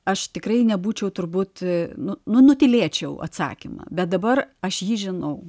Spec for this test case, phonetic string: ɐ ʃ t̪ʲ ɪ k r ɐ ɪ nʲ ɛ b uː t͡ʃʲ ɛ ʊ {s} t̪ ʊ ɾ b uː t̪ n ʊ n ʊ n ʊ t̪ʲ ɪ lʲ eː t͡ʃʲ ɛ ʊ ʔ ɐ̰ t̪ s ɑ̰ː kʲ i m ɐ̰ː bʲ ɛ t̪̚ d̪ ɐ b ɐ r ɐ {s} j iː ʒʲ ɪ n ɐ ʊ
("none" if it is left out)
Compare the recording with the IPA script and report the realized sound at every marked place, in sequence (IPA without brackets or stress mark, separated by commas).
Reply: none, ʃ